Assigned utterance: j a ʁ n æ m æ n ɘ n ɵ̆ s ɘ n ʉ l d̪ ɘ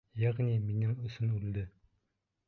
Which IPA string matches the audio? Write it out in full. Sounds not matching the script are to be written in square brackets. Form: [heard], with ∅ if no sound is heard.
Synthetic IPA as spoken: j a ʁ n [i] m [i] n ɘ [ŋ] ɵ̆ s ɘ n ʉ l d̪ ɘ